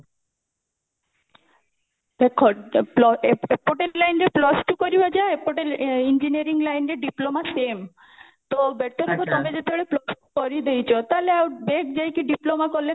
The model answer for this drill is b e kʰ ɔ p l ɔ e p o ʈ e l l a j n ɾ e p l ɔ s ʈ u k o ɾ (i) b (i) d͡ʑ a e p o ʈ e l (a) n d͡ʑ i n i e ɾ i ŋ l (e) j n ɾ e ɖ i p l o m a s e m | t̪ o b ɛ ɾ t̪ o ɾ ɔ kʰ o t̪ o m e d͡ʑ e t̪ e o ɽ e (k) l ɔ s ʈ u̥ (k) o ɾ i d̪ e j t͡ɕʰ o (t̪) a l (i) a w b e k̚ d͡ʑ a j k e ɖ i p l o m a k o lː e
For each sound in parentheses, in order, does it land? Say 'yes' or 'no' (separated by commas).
yes, no, no, no, no, yes, yes, no